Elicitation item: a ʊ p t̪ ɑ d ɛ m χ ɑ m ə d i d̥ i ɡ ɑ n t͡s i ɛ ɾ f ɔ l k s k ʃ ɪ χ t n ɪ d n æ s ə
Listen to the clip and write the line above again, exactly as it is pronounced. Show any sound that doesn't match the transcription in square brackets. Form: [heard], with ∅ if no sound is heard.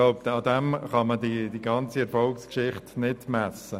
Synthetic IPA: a ʊ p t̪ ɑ d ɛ m χ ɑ m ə d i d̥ i ɡ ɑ n t͡s i ɛ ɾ f ɔ l k s k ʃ ɪ χ t n ɪ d [m] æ s ə